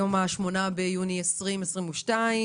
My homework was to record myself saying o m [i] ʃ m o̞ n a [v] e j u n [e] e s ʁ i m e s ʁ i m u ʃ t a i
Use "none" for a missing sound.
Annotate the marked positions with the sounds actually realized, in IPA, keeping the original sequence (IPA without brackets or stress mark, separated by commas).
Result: a, b, i